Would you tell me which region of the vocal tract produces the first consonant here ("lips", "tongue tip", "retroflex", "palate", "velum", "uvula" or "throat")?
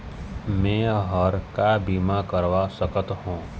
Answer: lips